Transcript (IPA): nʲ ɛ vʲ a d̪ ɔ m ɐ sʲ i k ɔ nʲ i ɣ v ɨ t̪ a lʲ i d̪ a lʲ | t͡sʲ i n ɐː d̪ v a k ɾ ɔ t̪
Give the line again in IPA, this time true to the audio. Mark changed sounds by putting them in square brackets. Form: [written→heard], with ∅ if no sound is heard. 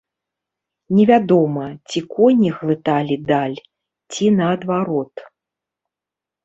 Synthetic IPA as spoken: nʲ ɛ vʲ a d̪ ɔ m ɐ [sʲ→t͡sʲ] i k ɔ nʲ i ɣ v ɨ t̪ a lʲ i d̪ a lʲ | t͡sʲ i n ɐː d̪ v a [k→∅] ɾ ɔ t̪